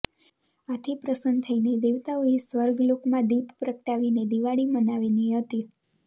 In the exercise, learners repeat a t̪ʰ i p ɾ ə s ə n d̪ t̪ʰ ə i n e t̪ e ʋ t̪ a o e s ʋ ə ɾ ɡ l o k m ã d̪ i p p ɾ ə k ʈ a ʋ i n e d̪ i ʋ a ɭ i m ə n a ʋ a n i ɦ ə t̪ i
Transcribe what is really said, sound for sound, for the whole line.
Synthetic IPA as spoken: a t̪ʰ i p ɾ ə s ə n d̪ t̪ʰ ə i n e d̪ e ʋ t̪ a o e s ʋ ə ɾ ɡ l o k m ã d̪ i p p ɾ ə k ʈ a ʋ i n e d̪ i ʋ a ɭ i m ə n a ʋ i n i ɦ ə t̪ i